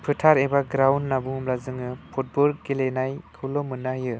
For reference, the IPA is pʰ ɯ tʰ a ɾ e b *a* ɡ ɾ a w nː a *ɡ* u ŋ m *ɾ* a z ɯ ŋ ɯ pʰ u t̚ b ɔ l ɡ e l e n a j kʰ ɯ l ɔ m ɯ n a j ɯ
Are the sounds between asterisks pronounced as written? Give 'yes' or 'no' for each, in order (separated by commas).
yes, no, no